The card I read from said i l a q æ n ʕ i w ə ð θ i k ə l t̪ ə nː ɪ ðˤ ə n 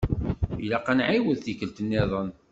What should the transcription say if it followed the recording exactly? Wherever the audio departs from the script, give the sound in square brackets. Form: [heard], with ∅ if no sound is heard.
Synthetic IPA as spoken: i l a q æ n ʕ i w ə ð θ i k ə l t̪ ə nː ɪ ðˤ ə n